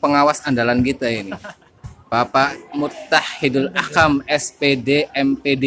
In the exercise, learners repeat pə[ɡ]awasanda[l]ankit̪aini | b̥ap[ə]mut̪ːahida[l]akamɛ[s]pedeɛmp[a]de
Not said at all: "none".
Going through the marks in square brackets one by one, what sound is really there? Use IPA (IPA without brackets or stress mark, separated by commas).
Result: ŋ, l, a, l, s, e